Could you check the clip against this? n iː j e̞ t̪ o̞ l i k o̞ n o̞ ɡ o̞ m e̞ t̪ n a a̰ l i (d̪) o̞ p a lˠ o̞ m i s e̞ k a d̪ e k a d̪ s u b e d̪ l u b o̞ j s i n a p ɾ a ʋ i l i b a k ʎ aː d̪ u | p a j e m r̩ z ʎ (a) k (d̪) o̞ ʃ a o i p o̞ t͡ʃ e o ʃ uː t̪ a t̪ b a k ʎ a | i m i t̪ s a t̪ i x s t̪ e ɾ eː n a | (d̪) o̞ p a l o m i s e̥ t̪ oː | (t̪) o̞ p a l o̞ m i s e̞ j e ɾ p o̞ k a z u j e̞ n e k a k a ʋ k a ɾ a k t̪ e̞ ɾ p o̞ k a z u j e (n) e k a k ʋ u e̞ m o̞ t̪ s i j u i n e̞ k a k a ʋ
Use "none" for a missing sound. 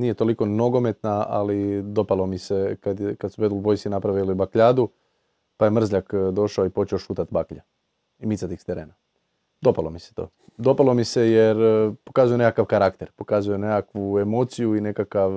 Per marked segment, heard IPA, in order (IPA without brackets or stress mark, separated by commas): d̪, a, d̪, d̪, d̪, n